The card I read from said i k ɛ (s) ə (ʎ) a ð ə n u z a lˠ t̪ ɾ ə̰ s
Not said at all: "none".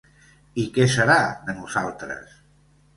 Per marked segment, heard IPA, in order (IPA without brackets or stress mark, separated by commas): s, ɾ